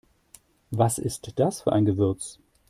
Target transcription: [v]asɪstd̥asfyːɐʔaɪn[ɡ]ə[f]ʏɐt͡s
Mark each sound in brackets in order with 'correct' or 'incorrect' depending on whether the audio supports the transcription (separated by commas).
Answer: correct, correct, incorrect